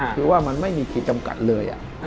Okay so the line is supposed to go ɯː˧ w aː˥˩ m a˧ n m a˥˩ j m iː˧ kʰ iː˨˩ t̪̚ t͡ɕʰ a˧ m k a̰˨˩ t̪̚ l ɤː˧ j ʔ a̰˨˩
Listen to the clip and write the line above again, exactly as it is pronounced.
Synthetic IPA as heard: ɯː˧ w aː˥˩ m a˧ n m a˥˩ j m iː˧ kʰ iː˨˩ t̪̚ t͡ɕ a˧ m k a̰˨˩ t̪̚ l ɤː˧ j ʔ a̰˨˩